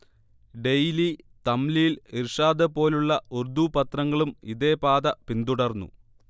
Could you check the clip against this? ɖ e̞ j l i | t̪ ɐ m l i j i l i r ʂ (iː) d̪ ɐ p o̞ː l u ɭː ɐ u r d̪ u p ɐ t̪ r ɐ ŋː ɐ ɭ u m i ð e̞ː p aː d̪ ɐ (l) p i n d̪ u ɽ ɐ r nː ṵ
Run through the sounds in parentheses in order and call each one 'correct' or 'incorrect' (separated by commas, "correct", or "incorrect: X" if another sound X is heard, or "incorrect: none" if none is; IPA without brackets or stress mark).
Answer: incorrect: aː, incorrect: none